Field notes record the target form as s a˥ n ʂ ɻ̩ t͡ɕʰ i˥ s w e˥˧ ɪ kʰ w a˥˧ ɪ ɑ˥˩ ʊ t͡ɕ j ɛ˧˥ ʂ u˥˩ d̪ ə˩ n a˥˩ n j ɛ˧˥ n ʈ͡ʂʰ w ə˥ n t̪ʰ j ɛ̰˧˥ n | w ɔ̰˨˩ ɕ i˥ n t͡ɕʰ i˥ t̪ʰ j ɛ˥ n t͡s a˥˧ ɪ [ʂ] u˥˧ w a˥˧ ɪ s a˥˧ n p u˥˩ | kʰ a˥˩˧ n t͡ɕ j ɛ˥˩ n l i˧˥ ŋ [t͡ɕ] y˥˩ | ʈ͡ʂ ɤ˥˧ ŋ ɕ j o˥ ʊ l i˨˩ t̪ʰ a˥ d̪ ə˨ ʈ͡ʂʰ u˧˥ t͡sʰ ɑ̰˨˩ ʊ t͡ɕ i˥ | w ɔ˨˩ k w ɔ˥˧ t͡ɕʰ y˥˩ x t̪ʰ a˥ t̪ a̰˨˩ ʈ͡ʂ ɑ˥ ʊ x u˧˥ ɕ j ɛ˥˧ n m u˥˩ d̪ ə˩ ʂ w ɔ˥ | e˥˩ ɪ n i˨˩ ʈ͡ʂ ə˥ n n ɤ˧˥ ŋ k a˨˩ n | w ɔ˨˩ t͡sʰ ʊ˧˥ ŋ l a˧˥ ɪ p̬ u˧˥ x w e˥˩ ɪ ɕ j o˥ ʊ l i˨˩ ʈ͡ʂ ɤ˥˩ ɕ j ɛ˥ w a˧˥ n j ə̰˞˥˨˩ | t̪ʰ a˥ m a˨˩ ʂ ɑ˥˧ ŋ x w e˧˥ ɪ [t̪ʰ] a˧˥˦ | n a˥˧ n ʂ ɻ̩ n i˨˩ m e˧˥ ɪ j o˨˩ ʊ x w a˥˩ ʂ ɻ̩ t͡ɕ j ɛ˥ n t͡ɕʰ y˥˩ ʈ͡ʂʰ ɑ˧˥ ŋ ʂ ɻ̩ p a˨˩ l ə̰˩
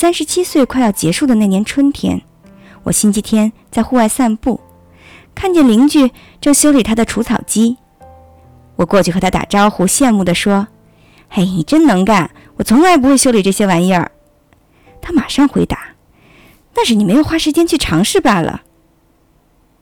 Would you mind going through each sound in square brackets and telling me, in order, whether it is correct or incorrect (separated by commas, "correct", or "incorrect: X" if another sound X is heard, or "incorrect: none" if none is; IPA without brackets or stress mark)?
incorrect: x, correct, incorrect: t̪